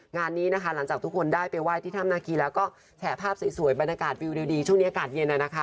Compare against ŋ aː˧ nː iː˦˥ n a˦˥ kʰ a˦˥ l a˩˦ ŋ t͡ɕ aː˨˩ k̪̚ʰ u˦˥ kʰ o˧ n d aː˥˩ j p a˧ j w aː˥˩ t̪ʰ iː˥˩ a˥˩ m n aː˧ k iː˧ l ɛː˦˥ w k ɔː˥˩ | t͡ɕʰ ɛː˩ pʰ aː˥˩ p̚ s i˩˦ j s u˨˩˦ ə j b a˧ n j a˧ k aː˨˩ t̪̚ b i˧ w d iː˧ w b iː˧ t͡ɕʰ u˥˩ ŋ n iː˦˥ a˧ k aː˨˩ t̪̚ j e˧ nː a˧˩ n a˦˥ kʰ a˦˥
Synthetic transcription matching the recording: ŋ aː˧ nː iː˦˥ n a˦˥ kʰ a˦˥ l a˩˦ ŋ t͡ɕ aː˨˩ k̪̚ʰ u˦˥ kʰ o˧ n d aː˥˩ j p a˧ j w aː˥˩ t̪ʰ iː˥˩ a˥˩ m n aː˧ k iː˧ l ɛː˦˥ w k ɔː˥˩ | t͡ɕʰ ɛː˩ pʰ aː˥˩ p̚ s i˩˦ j s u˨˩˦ ə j b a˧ n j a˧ k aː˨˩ t̪̚ w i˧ w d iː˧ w d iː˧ t͡ɕʰ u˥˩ ŋ n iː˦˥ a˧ k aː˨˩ t̪̚ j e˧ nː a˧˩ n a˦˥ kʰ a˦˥